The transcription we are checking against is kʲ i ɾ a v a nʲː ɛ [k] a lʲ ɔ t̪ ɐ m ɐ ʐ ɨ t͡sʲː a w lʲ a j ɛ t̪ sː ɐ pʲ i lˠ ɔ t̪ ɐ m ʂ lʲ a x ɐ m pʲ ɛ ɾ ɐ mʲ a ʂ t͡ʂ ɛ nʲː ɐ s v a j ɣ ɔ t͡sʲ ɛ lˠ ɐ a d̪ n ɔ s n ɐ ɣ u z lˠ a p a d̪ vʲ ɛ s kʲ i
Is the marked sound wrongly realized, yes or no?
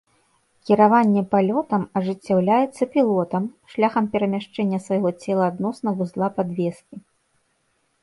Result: yes